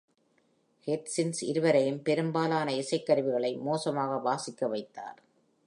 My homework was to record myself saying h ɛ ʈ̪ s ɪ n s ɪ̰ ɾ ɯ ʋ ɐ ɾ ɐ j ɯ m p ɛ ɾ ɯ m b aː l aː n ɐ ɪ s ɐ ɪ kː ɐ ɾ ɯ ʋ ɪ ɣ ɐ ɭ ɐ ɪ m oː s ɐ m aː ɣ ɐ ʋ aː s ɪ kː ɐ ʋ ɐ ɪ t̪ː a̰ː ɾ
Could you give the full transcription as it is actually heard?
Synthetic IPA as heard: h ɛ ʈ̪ s ɪ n s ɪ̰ ɾ ɯ ʋ ɐ ɾ ɐ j ɯ m p ɛ ɾ ɯ m b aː l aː n ɐ ɪ s ɐ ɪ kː ɐ ɾ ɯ ʋ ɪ ɣ ɐ ɭ ɐ ɪ m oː s ɐ m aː ɣ ɐ ʋ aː s ɪ kː ɐ ʋ ɐ ɪ t̪ː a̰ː ɾ